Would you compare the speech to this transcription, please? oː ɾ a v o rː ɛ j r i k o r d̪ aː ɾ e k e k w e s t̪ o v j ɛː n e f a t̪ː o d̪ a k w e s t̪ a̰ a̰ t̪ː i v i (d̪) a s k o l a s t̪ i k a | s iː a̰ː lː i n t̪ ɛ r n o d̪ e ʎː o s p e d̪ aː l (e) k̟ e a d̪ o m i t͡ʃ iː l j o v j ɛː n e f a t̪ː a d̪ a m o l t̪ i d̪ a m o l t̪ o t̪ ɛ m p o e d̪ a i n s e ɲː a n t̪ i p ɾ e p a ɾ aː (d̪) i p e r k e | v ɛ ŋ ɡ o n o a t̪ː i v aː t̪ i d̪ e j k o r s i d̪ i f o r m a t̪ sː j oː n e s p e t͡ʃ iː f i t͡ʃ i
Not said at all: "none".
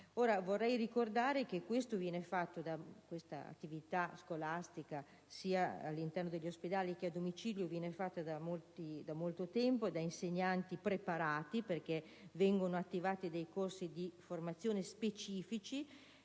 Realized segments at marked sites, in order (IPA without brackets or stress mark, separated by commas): t̪, i, t̪